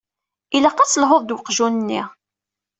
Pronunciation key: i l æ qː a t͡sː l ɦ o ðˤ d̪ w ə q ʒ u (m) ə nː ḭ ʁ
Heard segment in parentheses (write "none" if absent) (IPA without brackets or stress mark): n